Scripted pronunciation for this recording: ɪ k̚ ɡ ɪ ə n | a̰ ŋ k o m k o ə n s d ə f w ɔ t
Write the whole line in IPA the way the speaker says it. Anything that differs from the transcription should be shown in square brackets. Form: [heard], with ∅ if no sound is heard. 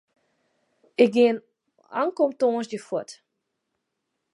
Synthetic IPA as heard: ɪ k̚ ɡ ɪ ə n | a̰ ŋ k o m [t] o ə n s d ə f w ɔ t